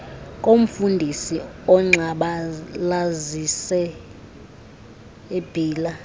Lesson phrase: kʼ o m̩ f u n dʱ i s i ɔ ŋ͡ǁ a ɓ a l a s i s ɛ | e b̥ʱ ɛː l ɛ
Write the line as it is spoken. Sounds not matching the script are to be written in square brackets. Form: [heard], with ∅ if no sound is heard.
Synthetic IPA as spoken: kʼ o m̩ f u n dʱ i s i ɔ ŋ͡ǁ a ɓ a l a [z] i s ɛ | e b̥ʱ [iː] l [a]